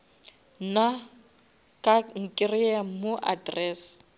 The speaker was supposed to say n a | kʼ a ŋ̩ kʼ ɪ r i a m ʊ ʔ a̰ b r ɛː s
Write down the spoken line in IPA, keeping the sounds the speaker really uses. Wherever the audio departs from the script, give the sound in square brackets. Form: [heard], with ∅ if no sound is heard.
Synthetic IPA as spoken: n a | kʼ a ŋ̩ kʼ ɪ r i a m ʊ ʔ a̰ [d] r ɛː s